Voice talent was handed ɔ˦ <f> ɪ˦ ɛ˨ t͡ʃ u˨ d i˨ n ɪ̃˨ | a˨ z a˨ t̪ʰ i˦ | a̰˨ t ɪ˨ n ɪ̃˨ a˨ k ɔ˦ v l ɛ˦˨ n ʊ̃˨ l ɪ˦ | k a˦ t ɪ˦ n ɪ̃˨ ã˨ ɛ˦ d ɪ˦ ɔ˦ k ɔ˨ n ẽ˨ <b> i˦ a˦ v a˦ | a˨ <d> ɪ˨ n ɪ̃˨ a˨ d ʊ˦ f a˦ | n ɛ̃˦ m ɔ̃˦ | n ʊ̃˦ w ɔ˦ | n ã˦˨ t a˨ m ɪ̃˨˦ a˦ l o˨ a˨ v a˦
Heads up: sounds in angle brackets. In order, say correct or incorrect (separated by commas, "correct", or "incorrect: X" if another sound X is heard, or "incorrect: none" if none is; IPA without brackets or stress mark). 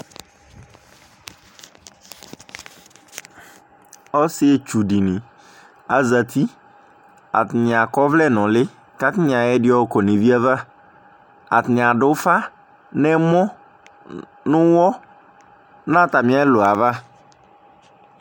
incorrect: s, incorrect: v, incorrect: t